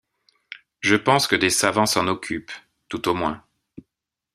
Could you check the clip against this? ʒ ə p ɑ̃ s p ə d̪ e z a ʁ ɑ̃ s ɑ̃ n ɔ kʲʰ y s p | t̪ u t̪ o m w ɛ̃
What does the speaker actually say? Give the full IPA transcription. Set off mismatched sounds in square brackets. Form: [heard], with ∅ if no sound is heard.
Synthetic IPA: ʒ ə p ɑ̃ s [k] ə d̪ e [s] a [v] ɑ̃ s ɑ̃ n ɔ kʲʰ y [∅] p | t̪ u t̪ o m w ɛ̃